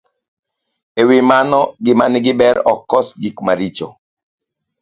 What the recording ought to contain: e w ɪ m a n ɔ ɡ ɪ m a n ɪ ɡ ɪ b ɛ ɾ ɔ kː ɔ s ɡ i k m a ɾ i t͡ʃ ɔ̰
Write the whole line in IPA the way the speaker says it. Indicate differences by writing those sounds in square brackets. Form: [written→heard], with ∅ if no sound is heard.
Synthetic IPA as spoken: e w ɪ m a n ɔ ɡ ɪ m a n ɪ ɡ ɪ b ɛ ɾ ɔ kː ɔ s ɡ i k m a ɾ i t͡ʃ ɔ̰

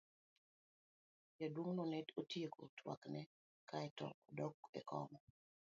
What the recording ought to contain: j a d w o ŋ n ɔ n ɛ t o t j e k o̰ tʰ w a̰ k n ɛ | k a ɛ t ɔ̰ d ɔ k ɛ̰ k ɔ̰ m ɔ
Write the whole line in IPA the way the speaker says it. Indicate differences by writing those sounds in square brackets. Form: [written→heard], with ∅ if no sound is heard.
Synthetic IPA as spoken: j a d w o ŋ n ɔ n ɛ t o t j e k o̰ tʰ w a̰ k n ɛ | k a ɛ t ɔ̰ d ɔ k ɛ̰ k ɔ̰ m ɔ

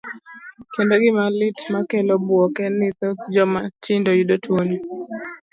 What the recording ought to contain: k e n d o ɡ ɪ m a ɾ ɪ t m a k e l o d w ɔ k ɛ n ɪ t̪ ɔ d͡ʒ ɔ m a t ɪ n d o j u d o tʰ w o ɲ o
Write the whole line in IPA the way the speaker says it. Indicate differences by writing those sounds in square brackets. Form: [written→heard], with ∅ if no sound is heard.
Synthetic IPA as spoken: k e n d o ɡ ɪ m a [ɾ→l] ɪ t m a k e l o [d→b] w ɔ k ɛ n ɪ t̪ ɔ d͡ʒ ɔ m a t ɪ n d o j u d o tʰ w o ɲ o

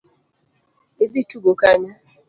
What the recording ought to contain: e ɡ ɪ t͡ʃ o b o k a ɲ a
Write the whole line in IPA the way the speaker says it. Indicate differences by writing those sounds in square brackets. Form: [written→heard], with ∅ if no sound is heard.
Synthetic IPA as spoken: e [ɡ→d] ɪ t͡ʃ [o→u] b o k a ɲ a

